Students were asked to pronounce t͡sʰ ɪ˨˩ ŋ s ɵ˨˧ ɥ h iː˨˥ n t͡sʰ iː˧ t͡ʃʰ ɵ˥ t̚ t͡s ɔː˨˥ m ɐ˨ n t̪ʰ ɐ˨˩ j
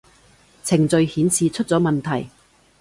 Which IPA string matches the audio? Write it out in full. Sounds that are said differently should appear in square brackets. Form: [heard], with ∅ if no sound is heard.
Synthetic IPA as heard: t͡sʰ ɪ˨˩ ŋ [t͡s] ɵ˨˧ ɥ h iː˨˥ n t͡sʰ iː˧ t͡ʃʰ ɵ˥ t̚ t͡s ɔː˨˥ m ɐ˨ n t̪ʰ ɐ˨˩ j